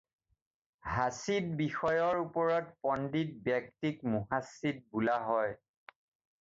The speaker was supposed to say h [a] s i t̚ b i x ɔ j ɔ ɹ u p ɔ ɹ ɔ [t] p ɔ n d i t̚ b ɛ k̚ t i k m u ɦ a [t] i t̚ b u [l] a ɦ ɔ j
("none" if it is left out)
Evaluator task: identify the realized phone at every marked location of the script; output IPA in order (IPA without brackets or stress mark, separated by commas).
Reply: a, t, s, l